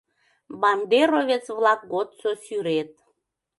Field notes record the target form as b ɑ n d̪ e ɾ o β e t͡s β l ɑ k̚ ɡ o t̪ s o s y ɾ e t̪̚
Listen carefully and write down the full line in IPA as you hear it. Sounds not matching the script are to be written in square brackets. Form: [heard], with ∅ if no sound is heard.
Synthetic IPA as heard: b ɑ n d̪ e ɾ o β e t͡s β l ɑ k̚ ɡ o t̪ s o s y ɾ e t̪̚